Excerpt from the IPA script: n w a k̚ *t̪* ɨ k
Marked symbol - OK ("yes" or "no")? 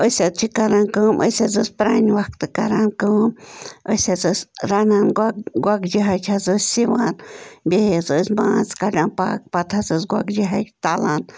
yes